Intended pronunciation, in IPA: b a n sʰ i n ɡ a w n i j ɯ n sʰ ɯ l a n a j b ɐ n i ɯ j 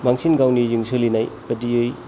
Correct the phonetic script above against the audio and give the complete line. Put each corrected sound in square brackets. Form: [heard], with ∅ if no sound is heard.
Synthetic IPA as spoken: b a [ŋ] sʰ i n ɡ a w n i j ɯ [ŋ] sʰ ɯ l [i] n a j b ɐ [d] i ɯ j